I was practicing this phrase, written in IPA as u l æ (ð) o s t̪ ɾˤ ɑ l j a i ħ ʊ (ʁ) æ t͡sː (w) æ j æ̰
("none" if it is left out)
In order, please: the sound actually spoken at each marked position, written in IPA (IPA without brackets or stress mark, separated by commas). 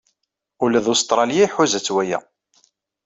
ð, z, w